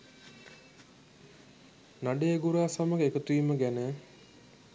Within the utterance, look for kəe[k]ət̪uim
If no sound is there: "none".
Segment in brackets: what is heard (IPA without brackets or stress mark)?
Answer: k